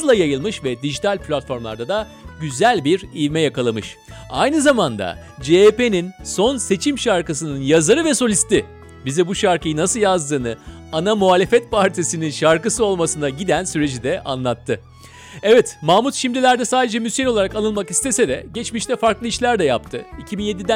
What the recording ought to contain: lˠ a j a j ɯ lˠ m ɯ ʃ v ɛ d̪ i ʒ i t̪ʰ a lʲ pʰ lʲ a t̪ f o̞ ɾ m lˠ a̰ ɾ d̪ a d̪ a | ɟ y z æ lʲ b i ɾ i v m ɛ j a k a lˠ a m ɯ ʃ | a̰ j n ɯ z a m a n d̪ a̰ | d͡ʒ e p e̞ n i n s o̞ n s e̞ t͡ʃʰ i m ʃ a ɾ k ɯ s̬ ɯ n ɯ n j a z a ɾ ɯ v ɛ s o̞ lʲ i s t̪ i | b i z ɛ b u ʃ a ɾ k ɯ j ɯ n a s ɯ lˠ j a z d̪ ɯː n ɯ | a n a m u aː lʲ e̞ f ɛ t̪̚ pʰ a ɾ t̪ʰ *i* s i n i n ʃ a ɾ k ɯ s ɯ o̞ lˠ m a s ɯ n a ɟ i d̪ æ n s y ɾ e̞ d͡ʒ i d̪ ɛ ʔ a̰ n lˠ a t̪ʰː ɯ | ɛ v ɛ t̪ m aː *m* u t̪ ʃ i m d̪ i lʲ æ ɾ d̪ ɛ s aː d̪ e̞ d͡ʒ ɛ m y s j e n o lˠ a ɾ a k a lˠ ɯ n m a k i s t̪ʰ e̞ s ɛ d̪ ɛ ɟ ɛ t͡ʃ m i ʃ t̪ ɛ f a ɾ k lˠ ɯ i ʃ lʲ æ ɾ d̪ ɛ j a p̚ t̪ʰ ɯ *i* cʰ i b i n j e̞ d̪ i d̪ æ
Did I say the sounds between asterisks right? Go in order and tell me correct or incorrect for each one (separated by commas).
correct, correct, correct